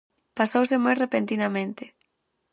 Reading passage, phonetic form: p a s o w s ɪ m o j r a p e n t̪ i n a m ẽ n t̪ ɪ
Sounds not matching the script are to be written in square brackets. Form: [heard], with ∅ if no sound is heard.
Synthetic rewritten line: p a s o w s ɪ m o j r [e] p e n t̪ i n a m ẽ n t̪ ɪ